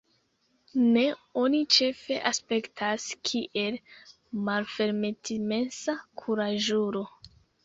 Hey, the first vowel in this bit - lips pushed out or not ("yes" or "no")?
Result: no